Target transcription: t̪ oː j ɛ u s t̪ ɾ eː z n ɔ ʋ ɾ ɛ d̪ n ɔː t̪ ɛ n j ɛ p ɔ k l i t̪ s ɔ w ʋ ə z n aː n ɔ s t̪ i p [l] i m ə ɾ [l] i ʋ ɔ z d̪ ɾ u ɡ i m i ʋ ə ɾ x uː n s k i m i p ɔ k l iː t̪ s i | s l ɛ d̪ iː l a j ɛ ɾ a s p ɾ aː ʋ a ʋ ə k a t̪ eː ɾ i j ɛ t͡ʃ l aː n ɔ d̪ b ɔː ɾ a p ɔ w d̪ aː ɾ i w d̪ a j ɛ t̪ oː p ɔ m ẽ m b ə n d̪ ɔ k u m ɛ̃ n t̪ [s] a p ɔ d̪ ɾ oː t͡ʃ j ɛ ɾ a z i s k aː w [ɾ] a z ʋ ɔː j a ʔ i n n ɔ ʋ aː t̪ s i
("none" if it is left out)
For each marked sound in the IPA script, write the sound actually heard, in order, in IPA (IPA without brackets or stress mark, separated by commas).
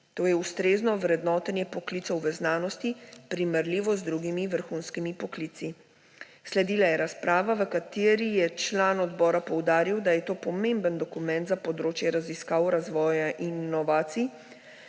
ɾ, l, z, ɾ